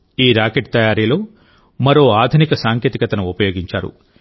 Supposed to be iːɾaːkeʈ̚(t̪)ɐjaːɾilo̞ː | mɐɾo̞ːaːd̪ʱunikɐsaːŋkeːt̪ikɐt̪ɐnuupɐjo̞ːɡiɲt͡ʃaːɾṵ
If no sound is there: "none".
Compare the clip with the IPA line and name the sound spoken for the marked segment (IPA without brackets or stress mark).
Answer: t̪